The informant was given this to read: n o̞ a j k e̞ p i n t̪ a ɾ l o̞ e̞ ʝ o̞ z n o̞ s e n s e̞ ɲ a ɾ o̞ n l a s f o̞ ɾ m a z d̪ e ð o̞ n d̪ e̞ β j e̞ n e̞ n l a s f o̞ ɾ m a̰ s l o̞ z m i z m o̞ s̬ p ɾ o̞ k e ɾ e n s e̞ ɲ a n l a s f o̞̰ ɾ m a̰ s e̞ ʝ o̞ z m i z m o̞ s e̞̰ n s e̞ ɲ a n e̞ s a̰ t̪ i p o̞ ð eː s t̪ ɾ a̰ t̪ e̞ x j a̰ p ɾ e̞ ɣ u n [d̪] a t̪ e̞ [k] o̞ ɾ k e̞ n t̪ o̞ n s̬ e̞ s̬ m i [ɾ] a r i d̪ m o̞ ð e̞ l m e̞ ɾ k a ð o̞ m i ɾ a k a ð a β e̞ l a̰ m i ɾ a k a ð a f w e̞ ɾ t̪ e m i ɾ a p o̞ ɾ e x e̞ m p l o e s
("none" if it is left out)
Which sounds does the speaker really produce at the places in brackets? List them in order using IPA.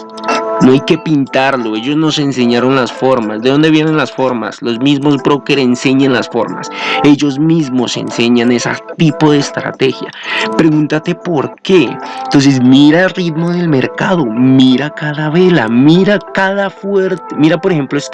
t̪, p, ɾ

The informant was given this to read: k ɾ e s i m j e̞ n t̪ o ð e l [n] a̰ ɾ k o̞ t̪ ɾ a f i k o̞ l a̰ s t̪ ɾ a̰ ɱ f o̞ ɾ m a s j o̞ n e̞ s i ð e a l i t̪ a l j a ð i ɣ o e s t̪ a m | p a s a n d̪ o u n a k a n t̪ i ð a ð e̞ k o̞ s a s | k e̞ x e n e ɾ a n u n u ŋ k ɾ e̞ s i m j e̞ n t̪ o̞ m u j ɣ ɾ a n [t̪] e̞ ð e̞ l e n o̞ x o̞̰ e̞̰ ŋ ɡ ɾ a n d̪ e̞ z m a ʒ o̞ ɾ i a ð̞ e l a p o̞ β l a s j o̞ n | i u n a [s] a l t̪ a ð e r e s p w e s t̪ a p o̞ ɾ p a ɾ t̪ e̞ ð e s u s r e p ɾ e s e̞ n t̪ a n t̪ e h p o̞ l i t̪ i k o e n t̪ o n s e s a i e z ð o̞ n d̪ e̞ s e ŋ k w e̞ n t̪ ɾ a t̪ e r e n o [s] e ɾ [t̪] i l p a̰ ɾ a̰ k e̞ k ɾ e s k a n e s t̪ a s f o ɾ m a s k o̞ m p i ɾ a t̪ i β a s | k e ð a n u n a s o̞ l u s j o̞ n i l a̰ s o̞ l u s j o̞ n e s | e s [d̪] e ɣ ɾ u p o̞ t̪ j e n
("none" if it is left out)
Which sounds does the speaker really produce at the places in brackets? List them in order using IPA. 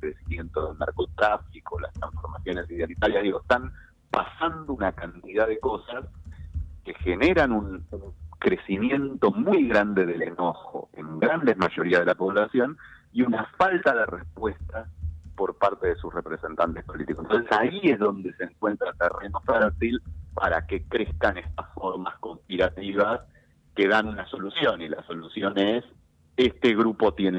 n, d̪, f, f, t̪, t̪

